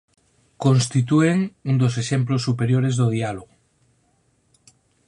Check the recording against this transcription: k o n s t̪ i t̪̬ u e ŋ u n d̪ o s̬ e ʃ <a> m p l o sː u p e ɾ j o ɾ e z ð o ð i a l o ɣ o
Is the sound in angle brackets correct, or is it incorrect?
incorrect